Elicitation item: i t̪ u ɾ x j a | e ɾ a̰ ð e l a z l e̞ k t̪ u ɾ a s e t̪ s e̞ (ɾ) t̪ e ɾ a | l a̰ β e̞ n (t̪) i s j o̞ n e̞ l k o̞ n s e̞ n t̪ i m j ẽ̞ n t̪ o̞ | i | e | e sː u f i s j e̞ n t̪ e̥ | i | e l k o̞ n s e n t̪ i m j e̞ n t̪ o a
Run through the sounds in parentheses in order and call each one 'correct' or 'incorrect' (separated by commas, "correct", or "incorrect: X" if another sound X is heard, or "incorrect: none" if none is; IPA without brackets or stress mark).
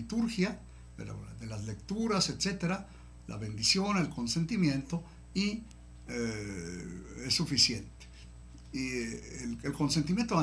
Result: incorrect: none, incorrect: d̪